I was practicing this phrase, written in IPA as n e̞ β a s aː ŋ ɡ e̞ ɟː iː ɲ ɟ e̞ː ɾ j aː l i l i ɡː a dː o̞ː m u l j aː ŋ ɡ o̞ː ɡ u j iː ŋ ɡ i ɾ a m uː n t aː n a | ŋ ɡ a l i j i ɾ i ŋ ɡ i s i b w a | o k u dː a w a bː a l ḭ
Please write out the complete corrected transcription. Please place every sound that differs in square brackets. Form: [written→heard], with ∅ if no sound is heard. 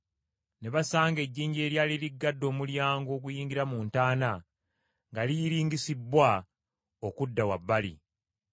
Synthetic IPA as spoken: n e̞ β a s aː ŋ ɡ e̞ ɟː iː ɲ ɟ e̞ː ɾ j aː l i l i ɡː a dː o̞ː m u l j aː ŋ ɡ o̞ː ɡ u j iː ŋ ɡ i ɾ a m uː n t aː n a | ŋ ɡ a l i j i ɾ [i→iː] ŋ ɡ i s i b w a | o k u dː a w a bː a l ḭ